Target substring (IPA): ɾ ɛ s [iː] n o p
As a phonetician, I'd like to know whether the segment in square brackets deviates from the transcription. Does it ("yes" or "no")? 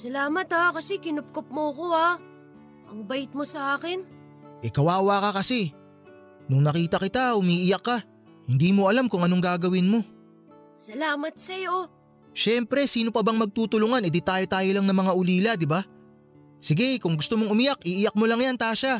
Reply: no